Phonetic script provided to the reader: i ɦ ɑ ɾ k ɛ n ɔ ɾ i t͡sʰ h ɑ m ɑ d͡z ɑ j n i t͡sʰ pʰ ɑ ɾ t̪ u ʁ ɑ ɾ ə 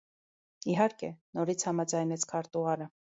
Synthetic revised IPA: i ɦ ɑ ɾ k ɛ n ɔ ɾ i t͡sʰ h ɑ m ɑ d͡z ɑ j n ɛ t͡sʰ kʰ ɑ ɾ t̪ u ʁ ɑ ɾ ə